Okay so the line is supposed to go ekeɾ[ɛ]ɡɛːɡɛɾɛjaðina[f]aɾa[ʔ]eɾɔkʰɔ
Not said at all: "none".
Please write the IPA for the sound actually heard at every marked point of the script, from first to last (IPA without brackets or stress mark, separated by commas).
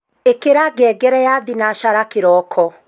a, ʃ, k